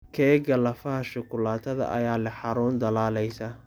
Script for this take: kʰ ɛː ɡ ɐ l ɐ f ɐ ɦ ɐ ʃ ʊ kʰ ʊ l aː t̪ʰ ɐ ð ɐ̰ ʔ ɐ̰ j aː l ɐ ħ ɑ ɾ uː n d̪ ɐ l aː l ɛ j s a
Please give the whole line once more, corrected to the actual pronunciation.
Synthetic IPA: kʰ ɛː ɡ ɐ l ɐ f ɐ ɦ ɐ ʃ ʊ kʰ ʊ l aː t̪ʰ ɐ ð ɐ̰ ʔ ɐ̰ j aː l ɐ ħ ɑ ɾ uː n d̪ ɐ l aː l ɛ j s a